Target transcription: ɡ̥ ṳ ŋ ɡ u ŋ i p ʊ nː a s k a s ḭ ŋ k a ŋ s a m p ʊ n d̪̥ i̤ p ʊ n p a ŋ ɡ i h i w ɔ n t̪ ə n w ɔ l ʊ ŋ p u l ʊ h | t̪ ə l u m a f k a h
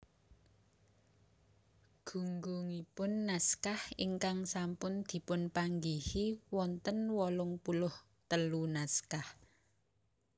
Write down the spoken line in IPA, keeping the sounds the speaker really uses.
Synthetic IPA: ɡ̥ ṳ ŋ ɡ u ŋ i p ʊ nː a s k a h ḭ ŋ k a ŋ s a m p ʊ n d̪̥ i̤ p ʊ n p a ŋ ɡ i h i w ɔ n t̪ ə n w ɔ l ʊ ŋ p u l ʊ h | t̪ ə l u n a s k a h